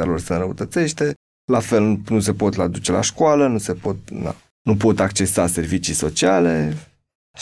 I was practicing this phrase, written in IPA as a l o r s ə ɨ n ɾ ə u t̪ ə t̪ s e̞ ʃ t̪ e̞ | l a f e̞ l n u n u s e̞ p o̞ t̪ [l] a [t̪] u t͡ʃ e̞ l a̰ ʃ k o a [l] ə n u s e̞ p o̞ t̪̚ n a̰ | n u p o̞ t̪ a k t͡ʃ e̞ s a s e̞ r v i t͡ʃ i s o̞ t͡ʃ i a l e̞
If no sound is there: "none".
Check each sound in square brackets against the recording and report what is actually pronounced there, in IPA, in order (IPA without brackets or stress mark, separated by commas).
l, d̪, l